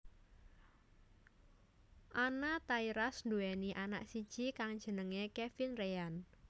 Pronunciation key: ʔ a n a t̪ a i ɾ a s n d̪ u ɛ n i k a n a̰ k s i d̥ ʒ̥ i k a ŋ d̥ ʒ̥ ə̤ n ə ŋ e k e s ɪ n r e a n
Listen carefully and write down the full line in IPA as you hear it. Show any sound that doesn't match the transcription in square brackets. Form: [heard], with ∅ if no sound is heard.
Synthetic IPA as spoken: ʔ a n a t̪ a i ɾ a s n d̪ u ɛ n i [ʔ] a n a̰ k s i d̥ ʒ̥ i k a ŋ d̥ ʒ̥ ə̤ n ə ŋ e k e [f] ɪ n r e a n